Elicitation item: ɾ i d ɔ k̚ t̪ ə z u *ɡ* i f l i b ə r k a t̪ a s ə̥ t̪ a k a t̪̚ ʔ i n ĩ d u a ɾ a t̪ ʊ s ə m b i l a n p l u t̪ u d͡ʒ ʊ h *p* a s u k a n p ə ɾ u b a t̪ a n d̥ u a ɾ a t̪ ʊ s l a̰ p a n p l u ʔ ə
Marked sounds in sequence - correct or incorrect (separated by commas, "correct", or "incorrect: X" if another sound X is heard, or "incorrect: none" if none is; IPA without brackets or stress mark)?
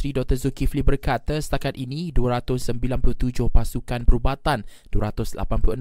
incorrect: k, correct